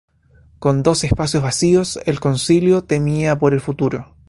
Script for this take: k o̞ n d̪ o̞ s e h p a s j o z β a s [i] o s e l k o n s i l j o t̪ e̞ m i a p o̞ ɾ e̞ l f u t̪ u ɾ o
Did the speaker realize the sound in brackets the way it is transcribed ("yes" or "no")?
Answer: yes